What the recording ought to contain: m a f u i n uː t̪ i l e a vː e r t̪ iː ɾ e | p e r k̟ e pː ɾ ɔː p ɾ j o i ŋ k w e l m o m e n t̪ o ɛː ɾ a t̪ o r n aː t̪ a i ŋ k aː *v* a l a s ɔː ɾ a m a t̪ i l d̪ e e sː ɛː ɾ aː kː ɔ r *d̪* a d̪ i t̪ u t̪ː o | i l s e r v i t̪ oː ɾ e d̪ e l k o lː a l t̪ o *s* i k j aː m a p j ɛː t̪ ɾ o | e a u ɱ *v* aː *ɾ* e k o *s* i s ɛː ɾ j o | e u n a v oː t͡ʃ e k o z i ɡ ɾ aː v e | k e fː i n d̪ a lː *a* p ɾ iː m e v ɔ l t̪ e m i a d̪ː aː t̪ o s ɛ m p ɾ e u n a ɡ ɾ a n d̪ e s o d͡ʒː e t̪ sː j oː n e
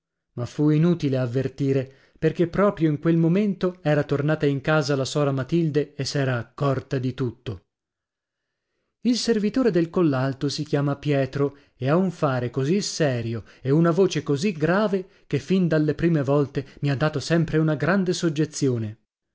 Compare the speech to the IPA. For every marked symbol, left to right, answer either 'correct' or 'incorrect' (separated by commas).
incorrect, incorrect, correct, incorrect, correct, incorrect, incorrect